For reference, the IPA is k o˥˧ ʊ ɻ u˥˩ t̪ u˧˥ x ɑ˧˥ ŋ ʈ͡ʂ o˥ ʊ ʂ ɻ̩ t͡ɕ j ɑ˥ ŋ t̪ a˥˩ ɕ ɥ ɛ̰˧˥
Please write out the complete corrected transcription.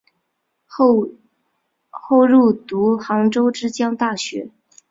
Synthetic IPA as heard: x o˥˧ ʊ ɻ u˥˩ t̪ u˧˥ x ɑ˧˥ ŋ ʈ͡ʂ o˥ ʊ ʈ͡ʂ ɻ̩ t͡ɕ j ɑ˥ ŋ t̪ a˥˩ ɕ ɥ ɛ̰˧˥